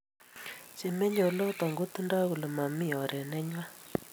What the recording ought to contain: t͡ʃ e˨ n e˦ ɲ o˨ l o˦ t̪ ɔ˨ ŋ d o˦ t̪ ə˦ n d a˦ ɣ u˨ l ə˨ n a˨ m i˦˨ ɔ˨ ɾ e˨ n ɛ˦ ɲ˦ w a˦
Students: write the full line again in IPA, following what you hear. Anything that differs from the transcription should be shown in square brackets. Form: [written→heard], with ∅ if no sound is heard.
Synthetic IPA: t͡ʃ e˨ [n→m] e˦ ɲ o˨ l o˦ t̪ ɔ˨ ŋ [d→ɡ] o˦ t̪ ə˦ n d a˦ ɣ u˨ l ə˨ [n→m] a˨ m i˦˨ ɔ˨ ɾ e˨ n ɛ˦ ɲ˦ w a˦